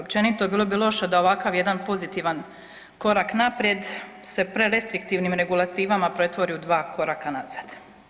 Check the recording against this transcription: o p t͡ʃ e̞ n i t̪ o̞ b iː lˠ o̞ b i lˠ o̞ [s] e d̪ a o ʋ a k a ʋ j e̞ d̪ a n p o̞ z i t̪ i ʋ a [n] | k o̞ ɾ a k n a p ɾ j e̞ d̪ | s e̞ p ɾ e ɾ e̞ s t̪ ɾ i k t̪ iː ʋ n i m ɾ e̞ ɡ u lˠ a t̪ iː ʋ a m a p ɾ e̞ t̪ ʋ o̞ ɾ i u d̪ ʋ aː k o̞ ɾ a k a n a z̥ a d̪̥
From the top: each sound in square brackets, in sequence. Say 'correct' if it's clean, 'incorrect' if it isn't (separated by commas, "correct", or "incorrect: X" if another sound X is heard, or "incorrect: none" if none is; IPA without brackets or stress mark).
incorrect: ʃ, correct